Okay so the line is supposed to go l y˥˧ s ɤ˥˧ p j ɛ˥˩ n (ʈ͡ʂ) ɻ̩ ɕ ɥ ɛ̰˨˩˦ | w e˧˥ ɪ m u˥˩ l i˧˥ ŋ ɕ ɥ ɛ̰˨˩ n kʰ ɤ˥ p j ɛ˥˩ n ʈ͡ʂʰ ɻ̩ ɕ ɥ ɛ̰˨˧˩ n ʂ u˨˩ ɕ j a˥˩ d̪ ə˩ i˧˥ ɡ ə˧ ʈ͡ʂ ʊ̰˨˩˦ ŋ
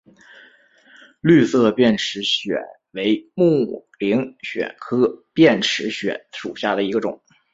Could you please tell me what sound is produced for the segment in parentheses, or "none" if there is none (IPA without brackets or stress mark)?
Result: ʈ͡ʂʰ